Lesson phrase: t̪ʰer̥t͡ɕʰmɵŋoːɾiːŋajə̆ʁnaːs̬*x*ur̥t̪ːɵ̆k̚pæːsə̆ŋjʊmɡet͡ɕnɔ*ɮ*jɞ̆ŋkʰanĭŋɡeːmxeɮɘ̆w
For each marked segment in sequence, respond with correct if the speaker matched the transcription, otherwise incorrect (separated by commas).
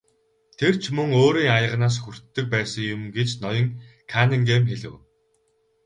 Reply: correct, incorrect